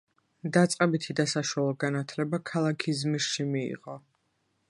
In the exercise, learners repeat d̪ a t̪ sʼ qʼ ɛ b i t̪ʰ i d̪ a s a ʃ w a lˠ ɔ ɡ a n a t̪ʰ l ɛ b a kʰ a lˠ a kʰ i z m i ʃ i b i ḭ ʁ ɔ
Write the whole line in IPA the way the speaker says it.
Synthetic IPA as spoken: d̪ a t̪ sʼ qʼ ɛ b i t̪ʰ i d̪ a s a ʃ w a lˠ ɔ ɡ a n a t̪ʰ l ɛ b a kʰ a lˠ a kʰ i z m i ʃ i m i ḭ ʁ ɔ